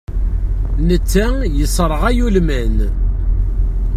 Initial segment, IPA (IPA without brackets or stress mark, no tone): n